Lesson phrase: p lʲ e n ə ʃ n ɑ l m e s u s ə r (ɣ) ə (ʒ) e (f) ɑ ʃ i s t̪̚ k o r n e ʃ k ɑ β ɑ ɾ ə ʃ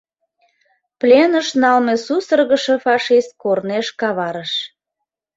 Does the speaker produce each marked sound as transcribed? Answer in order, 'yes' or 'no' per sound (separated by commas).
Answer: yes, no, yes